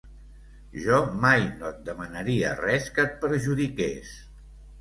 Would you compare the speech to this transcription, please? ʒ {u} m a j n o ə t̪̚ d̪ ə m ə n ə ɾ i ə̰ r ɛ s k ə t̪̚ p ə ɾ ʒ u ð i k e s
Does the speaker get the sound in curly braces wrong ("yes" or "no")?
yes